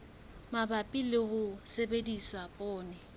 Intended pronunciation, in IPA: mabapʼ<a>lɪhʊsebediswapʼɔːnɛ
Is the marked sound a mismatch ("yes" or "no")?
yes